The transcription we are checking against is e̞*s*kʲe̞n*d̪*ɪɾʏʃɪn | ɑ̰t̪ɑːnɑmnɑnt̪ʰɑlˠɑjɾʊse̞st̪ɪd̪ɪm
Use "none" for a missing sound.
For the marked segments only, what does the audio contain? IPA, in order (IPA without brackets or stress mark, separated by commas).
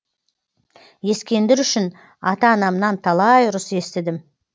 s, d̪